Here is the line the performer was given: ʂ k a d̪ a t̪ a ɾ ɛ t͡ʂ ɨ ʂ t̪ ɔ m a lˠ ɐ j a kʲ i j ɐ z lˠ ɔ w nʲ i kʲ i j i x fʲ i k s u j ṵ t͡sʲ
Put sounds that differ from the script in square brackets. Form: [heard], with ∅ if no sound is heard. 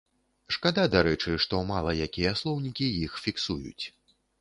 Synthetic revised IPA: ʂ k a d̪ a [d̪] a ɾ ɛ t͡ʂ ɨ ʂ t̪ ɔ m a lˠ ɐ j a kʲ i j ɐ [s] lˠ ɔ w nʲ i kʲ i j i x fʲ i k s u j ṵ t͡sʲ

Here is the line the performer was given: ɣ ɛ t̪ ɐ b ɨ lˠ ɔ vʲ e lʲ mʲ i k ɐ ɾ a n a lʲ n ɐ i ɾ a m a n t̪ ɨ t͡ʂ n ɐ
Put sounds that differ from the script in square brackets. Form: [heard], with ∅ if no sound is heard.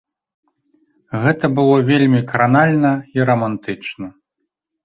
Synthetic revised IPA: ɣ ɛ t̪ ɐ b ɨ lˠ ɔ vʲ e lʲ mʲ i k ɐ ɾ a n a lʲ n ɐ i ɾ [ɐ] m a n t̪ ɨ t͡ʂ n ɐ

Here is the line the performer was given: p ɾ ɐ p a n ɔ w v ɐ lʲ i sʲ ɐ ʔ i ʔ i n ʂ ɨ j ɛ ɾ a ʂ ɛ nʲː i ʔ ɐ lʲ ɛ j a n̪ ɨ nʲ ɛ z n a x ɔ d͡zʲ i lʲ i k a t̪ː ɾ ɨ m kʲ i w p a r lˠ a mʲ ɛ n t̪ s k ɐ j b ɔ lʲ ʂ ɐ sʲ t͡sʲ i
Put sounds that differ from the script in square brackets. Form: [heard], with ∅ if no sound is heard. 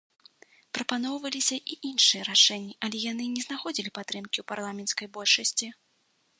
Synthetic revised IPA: p ɾ ɐ p a n ɔ w v ɐ lʲ i sʲ ɐ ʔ i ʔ i n ʂ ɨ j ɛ ɾ a ʂ ɛ nʲː i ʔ ɐ lʲ ɛ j a n̪ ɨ nʲ ɛ z n a x ɔ d͡zʲ i lʲ i [p] a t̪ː ɾ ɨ m kʲ i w p a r lˠ a mʲ ɛ n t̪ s k ɐ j b ɔ lʲ ʂ ɐ sʲ t͡sʲ i

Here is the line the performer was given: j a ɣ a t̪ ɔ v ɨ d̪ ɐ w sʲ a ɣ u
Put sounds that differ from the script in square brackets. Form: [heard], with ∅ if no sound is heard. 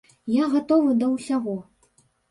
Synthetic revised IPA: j a ɣ a t̪ ɔ v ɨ d̪ ɐ w sʲ a ɣ [ɔ]

